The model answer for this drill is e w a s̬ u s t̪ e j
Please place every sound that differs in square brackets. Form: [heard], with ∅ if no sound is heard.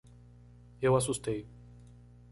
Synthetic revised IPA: e w a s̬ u s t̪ e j